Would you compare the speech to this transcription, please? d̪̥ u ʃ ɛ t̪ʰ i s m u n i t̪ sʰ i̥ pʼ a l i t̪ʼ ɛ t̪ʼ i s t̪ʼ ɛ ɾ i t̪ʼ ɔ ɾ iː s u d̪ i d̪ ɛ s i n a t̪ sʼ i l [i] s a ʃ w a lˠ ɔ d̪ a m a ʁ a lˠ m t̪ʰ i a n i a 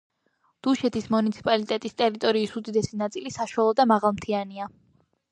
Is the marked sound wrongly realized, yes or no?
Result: no